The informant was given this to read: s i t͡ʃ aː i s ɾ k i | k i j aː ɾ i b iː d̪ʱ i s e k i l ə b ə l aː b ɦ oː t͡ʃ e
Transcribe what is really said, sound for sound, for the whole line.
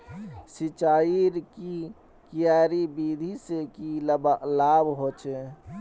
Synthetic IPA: s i t͡ʃ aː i ɾ k i | k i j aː ɾ i b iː d̪ʱ i s e k i l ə b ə l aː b ɦ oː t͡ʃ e